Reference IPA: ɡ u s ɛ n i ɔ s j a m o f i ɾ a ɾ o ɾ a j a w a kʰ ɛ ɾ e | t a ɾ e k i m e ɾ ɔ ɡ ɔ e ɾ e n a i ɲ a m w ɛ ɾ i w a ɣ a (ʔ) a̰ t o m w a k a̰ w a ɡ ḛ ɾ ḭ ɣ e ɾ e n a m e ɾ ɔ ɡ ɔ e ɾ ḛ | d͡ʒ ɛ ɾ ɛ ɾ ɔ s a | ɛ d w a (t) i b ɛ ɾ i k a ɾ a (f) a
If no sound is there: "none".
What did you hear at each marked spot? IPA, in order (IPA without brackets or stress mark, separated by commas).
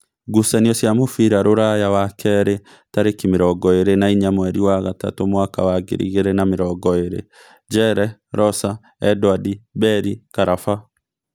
t, d, f